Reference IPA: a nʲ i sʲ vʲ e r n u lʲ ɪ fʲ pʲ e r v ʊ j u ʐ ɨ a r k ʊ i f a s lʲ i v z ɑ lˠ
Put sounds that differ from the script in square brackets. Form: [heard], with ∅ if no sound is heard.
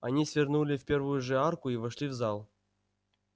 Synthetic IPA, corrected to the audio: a nʲ i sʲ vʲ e r n u lʲ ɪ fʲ pʲ e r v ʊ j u ʐ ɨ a r k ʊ i [v] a [ʂ] lʲ i v z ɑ lˠ